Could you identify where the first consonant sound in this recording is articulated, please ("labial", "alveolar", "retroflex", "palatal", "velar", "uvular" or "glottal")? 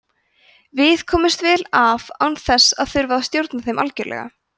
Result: labial